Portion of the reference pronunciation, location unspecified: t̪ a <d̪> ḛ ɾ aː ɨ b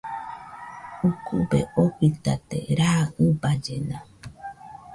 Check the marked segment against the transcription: incorrect: t̪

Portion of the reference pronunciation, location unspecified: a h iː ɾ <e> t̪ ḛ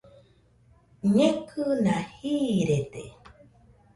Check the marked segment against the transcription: correct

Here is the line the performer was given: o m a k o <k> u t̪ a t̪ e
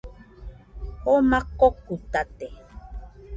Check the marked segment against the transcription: correct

